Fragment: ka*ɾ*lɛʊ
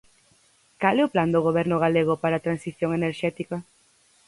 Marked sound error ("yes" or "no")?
yes